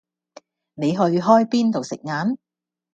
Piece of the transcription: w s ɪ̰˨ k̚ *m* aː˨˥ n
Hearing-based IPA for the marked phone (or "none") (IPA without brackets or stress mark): ŋ